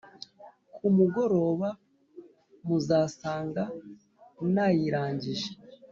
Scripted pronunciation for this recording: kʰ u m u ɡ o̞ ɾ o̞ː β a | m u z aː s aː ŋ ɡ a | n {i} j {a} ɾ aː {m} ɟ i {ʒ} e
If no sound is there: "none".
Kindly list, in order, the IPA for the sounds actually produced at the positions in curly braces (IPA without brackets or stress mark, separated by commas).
a, i, ɲ, ʒ